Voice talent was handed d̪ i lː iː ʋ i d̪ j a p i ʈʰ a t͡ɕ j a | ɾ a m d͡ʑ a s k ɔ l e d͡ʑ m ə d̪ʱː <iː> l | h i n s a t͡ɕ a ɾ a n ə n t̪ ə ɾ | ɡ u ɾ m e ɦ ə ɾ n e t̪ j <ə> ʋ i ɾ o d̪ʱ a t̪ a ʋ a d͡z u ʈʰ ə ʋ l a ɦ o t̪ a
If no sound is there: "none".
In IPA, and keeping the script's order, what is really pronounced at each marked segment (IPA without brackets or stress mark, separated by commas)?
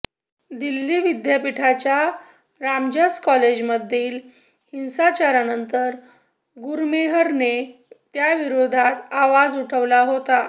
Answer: iː, a